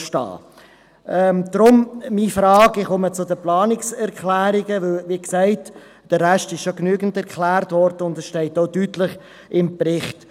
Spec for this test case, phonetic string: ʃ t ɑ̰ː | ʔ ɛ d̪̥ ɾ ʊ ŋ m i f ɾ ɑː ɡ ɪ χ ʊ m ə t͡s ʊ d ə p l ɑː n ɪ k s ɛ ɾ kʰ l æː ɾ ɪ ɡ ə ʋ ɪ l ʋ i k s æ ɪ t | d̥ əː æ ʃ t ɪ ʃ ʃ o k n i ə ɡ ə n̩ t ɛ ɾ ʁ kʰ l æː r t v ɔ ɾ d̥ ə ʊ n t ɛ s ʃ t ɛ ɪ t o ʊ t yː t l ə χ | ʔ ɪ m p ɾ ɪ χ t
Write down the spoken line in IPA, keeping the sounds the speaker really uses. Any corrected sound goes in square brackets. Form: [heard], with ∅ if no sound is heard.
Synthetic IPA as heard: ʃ t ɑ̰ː | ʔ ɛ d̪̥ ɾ ʊ [m] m i f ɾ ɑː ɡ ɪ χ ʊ m ə t͡s ʊ d ə p l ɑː n ɪ k s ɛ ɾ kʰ l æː ɾ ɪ ɡ ə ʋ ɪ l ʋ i k s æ ɪ t | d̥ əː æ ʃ t ɪ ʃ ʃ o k n [y] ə ɡ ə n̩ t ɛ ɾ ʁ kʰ l æː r t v ɔ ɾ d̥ ə ʊ n [d] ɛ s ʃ t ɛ ɪ t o ʊ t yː t l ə χ | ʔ ɪ m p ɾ ɪ χ t